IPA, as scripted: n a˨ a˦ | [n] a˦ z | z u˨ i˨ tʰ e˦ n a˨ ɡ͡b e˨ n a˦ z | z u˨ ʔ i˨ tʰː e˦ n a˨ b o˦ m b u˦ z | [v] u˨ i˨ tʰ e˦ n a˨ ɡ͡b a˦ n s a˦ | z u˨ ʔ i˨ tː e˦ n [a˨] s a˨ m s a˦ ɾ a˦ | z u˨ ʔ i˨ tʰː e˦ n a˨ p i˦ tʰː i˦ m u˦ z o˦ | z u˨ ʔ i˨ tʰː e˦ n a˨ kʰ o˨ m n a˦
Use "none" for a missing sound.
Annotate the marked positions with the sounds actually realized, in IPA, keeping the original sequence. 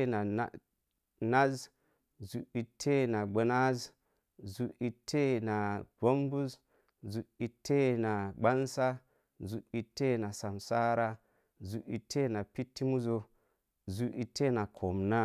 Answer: n, z, a˨

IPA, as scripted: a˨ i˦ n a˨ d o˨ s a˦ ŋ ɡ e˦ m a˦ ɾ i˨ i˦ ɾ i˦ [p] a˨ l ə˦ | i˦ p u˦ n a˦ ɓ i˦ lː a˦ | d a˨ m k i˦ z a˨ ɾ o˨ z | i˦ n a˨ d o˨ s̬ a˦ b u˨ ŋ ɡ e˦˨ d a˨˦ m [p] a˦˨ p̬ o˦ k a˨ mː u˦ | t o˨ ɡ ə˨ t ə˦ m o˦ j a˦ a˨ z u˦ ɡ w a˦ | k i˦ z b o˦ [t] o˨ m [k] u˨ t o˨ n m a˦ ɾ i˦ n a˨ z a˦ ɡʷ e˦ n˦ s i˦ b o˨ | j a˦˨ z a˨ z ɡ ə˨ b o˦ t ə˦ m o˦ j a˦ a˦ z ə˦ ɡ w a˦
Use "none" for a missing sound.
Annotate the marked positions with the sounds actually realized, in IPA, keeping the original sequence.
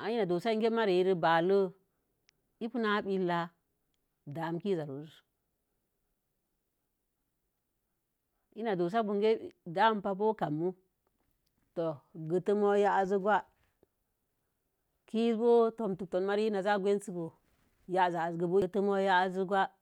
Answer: b, p, t, t

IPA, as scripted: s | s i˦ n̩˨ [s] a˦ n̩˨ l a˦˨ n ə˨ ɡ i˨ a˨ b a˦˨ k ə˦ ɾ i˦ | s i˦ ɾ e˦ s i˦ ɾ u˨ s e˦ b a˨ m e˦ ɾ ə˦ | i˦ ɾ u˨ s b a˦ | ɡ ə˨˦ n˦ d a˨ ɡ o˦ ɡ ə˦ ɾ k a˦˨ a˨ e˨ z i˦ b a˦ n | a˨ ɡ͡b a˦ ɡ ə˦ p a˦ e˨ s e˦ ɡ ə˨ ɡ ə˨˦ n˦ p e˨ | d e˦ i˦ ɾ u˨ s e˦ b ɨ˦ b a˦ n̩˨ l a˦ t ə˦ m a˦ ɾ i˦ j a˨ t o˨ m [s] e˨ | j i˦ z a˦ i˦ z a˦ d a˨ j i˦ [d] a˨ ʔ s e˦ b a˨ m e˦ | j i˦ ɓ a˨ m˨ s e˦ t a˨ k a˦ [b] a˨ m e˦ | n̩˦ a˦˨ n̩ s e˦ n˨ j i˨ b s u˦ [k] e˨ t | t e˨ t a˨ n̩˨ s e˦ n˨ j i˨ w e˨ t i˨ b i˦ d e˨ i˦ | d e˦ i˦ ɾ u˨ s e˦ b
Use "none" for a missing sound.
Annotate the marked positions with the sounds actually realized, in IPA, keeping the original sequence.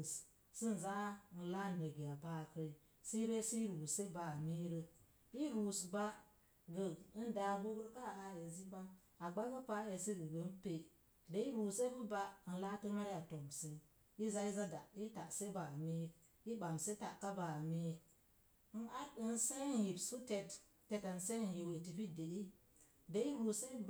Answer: z, s, t, b, t

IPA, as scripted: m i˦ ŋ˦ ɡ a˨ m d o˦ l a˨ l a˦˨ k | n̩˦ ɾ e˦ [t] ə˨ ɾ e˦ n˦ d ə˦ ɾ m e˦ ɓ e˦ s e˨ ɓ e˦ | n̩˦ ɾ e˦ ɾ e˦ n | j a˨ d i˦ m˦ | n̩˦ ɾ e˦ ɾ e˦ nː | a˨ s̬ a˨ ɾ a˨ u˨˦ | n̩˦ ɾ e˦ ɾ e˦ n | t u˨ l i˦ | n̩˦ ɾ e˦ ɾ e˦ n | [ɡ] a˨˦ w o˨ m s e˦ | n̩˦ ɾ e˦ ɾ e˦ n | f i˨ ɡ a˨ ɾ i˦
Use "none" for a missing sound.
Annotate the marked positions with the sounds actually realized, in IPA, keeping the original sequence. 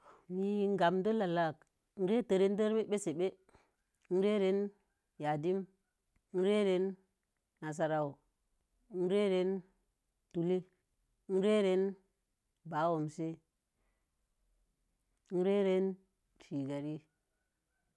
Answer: t, b

